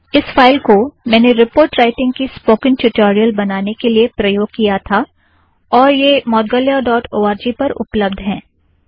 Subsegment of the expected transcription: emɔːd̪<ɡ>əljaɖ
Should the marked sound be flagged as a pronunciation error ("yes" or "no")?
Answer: no